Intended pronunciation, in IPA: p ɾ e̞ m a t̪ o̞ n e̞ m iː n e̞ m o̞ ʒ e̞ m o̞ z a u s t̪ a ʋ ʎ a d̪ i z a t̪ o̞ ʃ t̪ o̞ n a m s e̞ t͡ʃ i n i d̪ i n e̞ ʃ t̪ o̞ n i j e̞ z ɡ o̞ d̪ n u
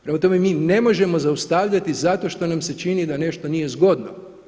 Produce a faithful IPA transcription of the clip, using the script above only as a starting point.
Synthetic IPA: p ɾ e̞ m a t̪ o̞ m e̞ m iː n e̞ m o̞ ʒ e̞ m o̞ z a u s t̪ a ʋ ʎ a t̪ i z a t̪ o̞ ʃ t̪ o̞ n a m s e̞ t͡ʃ i n i d̪ a n e̞ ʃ t̪ o̞ n i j e̞ z ɡ o̞ d̪ n o